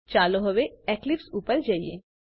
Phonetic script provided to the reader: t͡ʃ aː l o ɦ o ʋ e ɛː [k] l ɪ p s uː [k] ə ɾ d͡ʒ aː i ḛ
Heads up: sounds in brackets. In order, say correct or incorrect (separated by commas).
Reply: correct, incorrect